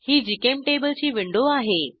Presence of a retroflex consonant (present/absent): present